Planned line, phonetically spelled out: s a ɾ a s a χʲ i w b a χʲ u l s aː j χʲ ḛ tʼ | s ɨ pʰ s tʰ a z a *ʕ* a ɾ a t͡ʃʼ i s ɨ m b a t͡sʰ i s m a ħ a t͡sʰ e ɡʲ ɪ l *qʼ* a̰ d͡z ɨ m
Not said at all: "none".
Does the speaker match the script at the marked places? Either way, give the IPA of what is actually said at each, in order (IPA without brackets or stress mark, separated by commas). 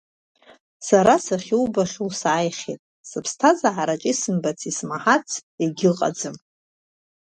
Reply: ʕ, qʼ